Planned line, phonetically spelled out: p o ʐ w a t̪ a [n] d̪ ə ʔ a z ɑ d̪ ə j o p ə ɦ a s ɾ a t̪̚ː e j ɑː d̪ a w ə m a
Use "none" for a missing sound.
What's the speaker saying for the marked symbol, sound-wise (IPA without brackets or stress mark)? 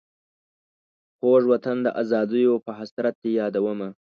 n